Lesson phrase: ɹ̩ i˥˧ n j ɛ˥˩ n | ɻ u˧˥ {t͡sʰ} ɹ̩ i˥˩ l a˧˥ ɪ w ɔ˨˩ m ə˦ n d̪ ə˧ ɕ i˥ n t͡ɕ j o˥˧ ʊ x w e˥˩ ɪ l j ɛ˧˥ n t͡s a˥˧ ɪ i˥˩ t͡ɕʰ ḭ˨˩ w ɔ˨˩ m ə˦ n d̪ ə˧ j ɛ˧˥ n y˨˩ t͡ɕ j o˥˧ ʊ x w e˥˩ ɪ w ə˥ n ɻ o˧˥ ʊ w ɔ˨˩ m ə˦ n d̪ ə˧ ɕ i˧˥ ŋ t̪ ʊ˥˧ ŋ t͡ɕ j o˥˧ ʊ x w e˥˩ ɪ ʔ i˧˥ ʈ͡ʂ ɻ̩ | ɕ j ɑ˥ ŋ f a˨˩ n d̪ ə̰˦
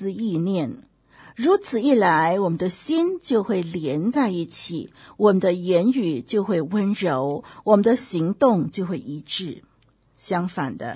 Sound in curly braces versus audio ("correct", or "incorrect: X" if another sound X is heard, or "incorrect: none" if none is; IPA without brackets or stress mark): correct